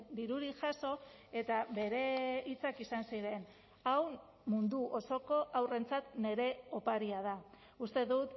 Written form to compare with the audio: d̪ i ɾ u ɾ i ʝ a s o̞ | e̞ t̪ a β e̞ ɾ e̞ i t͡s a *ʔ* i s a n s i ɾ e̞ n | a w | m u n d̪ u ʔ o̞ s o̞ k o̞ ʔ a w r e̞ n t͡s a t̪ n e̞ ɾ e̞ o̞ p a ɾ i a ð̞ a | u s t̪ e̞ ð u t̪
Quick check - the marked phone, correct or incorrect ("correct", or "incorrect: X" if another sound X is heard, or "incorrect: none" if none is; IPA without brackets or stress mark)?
incorrect: k